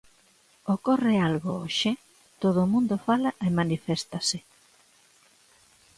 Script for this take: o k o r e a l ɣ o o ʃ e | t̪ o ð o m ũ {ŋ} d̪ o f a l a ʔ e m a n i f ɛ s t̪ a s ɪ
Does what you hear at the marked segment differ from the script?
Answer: yes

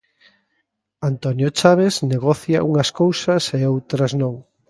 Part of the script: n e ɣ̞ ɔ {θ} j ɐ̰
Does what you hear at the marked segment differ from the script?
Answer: no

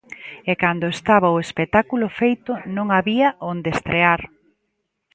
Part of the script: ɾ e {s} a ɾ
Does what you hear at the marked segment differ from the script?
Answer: yes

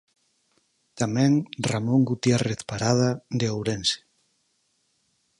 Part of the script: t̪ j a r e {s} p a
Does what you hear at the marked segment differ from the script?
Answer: yes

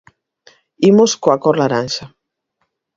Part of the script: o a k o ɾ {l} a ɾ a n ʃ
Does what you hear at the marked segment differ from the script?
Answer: no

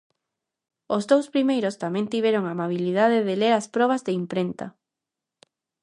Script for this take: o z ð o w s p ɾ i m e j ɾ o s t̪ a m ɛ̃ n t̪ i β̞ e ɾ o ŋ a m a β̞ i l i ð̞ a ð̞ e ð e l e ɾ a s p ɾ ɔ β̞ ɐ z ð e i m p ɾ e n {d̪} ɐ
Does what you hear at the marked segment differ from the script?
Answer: yes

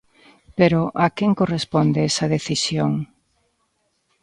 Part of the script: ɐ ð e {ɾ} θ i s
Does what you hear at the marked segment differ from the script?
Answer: yes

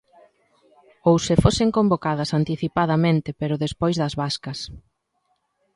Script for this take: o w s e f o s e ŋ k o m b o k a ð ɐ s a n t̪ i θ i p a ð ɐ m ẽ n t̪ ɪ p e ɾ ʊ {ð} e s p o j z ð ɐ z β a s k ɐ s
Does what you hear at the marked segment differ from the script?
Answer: no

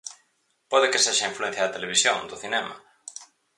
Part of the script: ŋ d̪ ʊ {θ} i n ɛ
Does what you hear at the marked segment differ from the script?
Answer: no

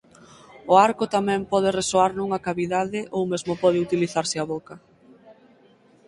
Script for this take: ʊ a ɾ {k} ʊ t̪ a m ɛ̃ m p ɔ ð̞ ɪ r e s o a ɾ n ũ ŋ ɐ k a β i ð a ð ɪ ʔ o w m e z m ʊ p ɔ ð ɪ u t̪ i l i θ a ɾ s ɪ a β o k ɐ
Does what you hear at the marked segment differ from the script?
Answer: no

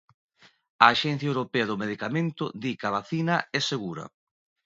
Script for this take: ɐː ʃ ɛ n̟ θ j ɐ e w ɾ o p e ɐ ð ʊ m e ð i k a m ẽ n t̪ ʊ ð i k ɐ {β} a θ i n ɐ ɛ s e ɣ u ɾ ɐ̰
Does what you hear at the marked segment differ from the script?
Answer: no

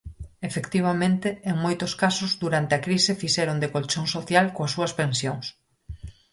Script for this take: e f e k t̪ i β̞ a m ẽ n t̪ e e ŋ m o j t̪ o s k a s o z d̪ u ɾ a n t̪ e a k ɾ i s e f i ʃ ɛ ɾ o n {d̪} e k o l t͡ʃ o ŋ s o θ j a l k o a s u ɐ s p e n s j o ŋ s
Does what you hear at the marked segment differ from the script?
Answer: no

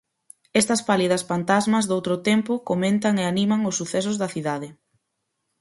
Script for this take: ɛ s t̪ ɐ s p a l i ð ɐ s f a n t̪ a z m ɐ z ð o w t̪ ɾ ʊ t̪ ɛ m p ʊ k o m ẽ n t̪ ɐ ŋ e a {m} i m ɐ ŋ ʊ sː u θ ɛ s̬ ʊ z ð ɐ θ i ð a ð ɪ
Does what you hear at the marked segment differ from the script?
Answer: yes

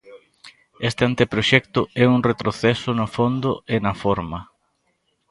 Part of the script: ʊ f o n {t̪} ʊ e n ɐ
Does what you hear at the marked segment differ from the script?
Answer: yes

